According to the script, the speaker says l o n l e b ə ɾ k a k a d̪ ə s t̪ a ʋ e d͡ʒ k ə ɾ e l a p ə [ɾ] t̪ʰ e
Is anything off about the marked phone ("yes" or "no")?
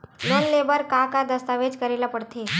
yes